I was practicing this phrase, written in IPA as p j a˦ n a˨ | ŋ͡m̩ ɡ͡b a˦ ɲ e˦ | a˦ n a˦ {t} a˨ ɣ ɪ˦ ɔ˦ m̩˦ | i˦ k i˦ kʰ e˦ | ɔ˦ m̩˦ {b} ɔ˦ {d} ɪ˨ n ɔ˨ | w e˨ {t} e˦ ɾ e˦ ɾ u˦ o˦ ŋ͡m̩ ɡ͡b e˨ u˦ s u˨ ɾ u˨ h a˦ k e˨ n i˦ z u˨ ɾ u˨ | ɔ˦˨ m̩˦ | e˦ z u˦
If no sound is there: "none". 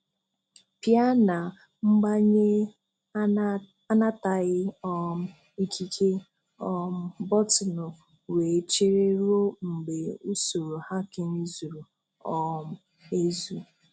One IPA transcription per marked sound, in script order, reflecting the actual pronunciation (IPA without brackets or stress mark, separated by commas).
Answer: t, b, t, t͡ʃ